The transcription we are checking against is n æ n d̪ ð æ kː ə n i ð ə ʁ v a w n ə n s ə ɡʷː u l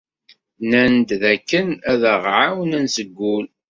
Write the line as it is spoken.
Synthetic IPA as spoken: n æ n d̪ ð æ kː ə n æ ð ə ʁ ʕ a w n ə n s ə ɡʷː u l

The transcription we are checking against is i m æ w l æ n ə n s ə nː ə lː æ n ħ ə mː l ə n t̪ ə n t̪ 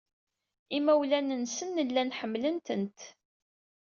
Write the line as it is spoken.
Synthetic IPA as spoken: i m æ w l æ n ə n s ə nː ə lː æ n ħ ə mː l ə n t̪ ə n t̪

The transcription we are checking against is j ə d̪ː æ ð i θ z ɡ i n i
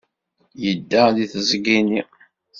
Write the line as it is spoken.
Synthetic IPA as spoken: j ə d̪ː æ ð i θ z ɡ i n i

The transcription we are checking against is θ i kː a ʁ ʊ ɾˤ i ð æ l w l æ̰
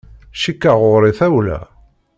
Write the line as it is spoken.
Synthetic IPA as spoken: ʃ i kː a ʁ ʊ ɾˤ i θ æ w l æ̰

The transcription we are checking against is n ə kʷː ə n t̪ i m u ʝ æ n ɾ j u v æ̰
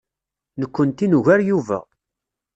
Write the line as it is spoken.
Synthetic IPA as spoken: n ə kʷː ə n t̪ i n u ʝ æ ɾ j u v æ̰

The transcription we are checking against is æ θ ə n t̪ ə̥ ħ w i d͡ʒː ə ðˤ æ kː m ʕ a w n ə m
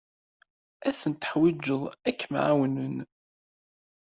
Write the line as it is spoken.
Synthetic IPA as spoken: æ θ ə n t̪ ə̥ ħ w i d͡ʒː ə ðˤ æ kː m ʕ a w n ə n

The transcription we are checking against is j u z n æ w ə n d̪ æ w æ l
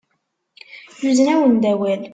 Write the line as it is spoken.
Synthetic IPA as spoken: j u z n æ w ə n d̪ æ w æ l

